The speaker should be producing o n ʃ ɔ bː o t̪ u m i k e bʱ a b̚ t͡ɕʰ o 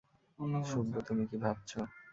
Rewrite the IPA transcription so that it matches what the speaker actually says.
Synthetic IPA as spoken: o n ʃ u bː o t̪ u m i k i bʱ a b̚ t͡ɕʰ o